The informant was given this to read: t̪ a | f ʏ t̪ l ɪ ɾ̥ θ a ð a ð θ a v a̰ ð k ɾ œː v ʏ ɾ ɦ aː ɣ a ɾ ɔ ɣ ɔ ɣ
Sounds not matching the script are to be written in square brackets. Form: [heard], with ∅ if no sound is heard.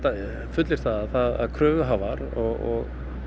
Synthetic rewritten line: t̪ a | f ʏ t̪ l ɪ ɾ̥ θ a ð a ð θ a [ð] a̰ ð [kʰ] ɾ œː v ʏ [∅] ɦ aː [v] a ɾ ɔ ɣ ɔ ɣ